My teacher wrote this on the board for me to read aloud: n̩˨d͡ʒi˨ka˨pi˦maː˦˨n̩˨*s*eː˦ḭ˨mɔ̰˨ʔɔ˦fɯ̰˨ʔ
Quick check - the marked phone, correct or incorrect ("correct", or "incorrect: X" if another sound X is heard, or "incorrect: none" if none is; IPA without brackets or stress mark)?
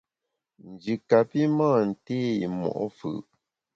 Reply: incorrect: t